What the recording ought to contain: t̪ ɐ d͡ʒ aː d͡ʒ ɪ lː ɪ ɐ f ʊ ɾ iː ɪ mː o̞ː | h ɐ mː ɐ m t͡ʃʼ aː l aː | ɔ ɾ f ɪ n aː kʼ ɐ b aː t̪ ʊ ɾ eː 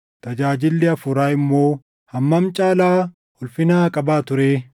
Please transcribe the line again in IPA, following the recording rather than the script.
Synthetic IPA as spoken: t̪ ɐ d͡ʒ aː d͡ʒ ɪ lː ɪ ɐ f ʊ ɾ aː ɪ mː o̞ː | h ɐ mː ɐ m t͡ʃʼ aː l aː | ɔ l f ɪ n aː kʼ ɐ b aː t̪ ʊ ɾ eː